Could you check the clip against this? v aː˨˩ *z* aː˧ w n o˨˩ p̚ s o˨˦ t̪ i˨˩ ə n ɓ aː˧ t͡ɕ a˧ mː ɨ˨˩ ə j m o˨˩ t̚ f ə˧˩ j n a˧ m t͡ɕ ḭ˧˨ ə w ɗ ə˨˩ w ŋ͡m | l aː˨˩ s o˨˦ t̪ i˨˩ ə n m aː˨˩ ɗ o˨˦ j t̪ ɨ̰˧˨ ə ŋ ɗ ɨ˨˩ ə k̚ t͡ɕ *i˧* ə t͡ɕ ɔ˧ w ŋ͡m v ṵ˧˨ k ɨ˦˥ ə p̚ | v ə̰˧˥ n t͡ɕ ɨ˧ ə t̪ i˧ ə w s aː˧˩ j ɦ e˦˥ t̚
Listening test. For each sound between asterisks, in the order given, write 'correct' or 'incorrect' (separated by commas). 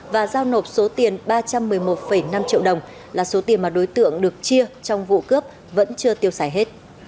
correct, correct